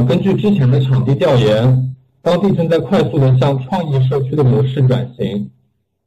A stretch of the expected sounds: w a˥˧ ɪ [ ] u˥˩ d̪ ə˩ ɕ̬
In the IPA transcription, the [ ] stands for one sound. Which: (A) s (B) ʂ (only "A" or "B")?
A